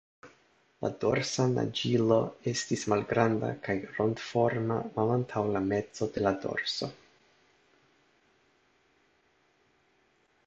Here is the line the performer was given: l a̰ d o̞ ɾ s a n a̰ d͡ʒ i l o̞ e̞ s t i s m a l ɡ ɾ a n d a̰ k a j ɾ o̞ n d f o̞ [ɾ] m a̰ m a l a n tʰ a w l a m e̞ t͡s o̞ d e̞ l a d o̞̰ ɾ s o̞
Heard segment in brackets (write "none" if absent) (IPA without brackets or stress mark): ɾ